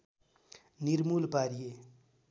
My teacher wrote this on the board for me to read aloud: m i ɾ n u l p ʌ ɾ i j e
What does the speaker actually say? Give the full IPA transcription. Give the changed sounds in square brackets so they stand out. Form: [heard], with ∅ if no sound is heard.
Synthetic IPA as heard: [n] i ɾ [m] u l p [a] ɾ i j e